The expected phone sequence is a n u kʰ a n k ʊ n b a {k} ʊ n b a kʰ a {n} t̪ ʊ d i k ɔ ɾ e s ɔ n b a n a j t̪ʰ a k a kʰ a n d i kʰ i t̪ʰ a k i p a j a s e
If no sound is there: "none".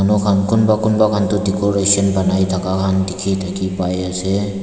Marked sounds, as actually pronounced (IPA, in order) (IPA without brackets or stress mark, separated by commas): k, n